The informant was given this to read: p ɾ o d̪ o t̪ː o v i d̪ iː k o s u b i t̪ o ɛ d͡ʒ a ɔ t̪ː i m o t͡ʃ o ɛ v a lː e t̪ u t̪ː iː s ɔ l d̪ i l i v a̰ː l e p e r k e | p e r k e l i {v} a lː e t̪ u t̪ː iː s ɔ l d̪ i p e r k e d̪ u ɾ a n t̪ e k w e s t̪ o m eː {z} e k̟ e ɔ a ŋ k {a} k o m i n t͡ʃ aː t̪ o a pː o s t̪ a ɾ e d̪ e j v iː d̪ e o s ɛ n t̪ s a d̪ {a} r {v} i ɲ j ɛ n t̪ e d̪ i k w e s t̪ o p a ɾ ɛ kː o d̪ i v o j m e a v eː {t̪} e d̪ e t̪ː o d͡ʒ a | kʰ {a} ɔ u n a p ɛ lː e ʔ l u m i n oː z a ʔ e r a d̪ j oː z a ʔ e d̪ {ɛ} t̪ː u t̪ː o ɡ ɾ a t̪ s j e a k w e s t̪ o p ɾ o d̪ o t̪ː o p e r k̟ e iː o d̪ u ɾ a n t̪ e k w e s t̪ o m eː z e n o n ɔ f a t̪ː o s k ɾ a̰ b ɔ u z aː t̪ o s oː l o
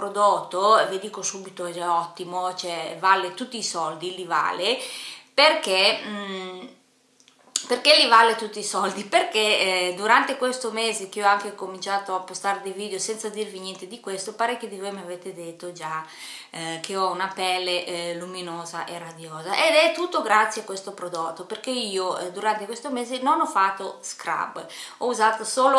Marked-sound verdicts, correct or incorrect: correct, correct, incorrect, incorrect, correct, correct, incorrect, correct

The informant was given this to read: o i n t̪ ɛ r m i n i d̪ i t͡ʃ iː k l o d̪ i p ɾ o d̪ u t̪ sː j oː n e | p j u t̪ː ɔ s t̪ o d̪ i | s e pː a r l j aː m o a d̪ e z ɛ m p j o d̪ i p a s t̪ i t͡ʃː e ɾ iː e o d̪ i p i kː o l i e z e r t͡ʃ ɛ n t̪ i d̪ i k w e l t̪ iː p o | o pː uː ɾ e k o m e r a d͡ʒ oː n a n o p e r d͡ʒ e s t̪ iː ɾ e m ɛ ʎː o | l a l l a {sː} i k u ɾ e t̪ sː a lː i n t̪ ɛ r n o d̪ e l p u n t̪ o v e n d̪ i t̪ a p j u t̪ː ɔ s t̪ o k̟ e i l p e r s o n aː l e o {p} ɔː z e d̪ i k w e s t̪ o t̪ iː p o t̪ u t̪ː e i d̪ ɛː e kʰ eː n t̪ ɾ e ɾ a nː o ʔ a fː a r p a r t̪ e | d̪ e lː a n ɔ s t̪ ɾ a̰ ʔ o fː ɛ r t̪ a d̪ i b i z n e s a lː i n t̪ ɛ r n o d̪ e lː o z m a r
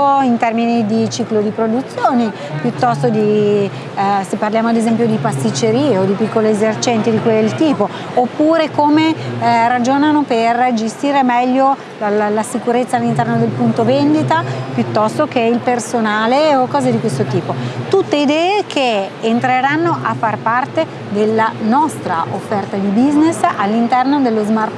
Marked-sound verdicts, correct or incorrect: incorrect, incorrect

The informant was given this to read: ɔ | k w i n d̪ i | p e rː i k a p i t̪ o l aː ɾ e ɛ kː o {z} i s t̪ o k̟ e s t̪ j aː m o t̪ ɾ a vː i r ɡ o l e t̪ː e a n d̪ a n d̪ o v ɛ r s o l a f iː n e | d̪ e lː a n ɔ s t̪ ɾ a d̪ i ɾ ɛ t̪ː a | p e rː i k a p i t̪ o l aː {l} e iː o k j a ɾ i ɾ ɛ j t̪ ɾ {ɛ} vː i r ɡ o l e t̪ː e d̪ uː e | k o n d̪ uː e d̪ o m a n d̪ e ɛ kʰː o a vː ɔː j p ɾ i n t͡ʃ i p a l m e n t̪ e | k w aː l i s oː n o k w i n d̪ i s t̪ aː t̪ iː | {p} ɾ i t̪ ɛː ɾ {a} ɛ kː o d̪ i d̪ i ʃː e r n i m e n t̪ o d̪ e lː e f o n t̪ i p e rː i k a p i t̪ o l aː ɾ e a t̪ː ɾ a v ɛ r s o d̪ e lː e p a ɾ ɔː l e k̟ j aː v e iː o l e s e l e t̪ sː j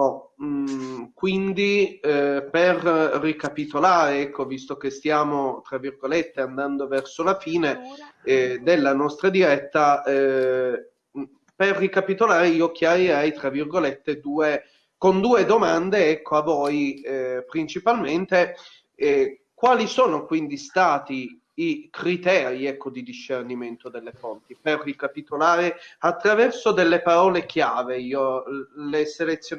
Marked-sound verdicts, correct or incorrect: incorrect, incorrect, incorrect, incorrect, incorrect

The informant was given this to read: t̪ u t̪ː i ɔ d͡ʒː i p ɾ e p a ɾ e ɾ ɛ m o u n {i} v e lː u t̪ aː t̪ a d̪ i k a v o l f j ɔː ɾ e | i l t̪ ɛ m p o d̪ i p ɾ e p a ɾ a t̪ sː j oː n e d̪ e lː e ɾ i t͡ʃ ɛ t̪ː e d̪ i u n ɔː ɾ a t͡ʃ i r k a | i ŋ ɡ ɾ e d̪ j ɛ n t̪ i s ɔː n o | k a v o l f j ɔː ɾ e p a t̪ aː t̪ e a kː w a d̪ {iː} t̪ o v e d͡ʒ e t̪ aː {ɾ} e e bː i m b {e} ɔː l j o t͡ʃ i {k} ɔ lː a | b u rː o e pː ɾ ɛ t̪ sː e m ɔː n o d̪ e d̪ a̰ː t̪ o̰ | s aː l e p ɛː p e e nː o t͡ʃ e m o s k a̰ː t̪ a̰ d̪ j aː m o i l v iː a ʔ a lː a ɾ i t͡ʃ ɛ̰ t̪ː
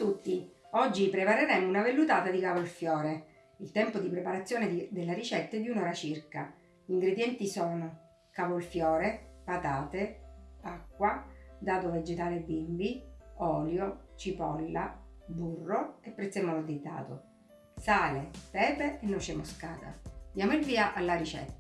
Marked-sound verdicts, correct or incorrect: incorrect, incorrect, incorrect, incorrect, incorrect

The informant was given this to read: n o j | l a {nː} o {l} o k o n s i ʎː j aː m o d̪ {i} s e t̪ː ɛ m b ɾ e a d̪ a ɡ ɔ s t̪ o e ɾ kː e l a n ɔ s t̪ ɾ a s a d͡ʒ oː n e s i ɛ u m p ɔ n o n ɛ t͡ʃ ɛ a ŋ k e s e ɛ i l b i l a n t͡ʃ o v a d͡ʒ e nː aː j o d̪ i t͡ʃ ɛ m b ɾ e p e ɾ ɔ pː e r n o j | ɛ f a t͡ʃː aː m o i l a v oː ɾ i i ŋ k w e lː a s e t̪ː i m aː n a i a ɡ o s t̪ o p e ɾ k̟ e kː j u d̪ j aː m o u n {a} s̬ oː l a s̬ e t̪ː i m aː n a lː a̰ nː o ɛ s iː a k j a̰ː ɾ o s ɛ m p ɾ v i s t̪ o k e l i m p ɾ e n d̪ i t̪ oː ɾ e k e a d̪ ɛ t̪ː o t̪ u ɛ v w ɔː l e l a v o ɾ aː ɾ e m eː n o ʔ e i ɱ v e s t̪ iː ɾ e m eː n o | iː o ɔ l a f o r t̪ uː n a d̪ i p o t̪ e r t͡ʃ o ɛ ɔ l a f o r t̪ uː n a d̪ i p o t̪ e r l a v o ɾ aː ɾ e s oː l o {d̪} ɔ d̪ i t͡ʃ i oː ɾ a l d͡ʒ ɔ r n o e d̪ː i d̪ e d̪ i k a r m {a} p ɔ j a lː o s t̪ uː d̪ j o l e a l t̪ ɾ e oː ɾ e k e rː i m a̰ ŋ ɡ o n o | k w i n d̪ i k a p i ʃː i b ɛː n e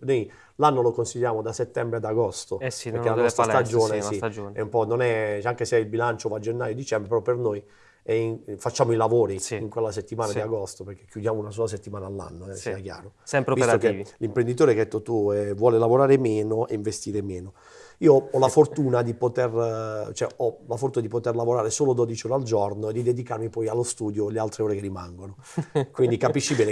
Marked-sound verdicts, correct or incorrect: correct, correct, incorrect, correct, correct, incorrect

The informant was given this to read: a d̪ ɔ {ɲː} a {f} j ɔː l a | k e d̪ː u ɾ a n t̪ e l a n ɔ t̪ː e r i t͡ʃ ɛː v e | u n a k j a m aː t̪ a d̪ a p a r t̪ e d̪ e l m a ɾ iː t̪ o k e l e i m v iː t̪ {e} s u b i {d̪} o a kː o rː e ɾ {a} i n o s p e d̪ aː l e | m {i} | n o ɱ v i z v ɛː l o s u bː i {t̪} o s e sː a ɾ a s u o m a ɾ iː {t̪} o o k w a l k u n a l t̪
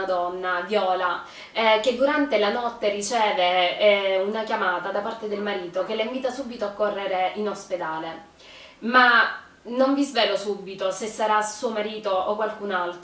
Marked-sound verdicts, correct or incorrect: incorrect, incorrect, incorrect, incorrect, incorrect, incorrect, correct, correct

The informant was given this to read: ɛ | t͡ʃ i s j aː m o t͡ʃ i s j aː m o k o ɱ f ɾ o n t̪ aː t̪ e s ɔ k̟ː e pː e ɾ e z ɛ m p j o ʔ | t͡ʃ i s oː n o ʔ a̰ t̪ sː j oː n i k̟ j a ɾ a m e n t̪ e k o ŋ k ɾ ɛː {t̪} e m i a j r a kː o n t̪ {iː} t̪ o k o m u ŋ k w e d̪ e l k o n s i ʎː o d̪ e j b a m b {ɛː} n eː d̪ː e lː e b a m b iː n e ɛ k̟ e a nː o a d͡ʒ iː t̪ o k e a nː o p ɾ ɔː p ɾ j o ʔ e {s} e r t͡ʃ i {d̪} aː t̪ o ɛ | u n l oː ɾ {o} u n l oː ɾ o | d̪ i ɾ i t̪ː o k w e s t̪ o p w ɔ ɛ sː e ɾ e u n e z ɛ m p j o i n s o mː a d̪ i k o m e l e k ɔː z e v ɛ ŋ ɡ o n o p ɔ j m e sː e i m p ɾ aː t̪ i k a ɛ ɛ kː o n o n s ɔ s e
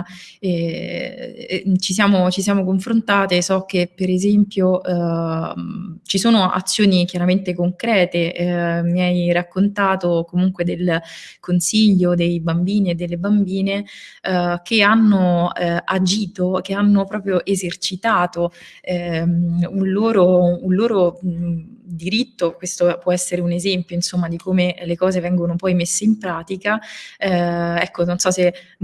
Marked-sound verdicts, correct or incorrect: correct, incorrect, incorrect, incorrect, incorrect, correct

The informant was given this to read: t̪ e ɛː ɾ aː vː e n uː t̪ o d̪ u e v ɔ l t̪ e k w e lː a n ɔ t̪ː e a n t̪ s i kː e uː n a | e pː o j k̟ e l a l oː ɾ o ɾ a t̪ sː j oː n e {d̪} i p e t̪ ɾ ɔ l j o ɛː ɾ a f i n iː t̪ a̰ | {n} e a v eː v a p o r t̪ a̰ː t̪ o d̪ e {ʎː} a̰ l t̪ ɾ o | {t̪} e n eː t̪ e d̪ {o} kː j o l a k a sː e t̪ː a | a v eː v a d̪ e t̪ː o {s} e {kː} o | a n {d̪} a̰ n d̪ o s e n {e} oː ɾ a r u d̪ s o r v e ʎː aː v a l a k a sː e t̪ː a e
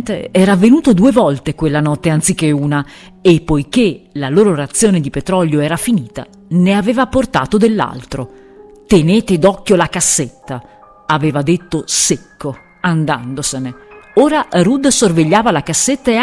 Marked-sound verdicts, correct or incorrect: correct, correct, incorrect, correct, incorrect, correct, correct, correct, correct

